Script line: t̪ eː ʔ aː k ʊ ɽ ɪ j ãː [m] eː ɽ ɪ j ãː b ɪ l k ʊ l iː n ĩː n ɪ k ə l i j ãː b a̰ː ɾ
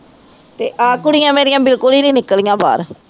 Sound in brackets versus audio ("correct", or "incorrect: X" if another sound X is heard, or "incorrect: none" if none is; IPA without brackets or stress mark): correct